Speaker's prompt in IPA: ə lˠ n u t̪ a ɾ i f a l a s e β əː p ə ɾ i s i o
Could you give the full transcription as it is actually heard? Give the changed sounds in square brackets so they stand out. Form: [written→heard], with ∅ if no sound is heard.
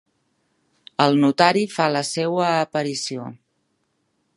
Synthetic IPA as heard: ə lˠ n u t̪ a ɾ i f a l [a→ə] s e [β→w] əː p ə ɾ i s i o

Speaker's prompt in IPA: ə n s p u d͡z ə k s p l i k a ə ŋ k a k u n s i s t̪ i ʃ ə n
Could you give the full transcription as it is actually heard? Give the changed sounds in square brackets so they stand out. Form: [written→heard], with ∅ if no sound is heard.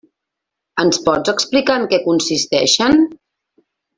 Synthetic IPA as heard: ə n s p [u→ɔ] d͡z ə k s p l i k a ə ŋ k [a→ɛ] k u n s i s t̪ [i→ɛ] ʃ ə n

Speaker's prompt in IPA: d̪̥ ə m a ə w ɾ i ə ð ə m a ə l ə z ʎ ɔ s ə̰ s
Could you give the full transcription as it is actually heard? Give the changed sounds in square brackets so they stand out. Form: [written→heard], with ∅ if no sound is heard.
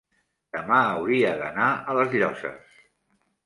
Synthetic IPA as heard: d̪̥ ə m a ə w ɾ i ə ð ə [m→n] a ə l ə z ʎ ɔ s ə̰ s

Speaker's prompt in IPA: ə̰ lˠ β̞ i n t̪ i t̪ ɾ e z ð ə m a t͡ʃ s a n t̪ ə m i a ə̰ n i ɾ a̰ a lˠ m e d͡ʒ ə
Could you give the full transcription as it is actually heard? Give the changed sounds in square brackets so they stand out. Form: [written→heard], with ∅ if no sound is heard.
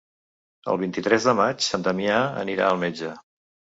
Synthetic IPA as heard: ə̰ lˠ β̞ i n t̪ i t̪ ɾ [e→ɛ] z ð ə m a t͡ʃ s a n t̪ ə m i a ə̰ n i ɾ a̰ [a→ə] lˠ m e d͡ʒ ə

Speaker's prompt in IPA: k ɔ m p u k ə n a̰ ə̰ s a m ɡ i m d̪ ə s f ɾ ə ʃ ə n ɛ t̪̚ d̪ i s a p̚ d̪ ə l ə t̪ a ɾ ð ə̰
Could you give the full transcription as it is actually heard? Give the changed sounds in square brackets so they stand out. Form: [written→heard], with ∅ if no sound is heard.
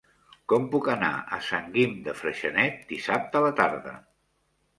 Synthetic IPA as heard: k ɔ m p u k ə n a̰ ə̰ s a [m→ŋ] ɡ i m d̪ ə [s→∅] f ɾ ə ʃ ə n ɛ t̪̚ d̪ i s a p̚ [d̪→t̪] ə l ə t̪ a ɾ ð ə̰

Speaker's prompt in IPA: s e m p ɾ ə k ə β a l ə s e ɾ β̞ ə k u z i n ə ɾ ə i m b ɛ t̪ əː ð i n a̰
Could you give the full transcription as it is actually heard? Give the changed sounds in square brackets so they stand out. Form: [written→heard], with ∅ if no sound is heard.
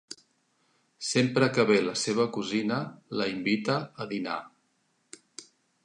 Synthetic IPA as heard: s e m p ɾ ə k ə β [a→e] l ə s e [ɾ→∅] β̞ ə k u z i n ə [ɾ→l] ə i m b [ɛ→i] t̪ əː ð i n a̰

